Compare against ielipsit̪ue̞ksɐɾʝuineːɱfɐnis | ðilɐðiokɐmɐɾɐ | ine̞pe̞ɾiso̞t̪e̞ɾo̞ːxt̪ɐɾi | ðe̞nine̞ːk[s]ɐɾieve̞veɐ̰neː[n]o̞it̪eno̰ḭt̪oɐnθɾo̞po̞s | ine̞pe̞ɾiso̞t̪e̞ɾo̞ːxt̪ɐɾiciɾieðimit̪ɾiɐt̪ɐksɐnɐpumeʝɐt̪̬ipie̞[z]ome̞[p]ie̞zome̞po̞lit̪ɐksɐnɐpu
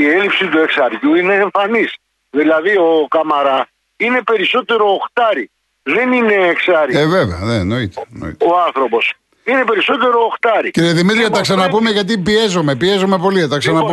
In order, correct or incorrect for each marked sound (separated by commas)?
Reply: correct, correct, correct, correct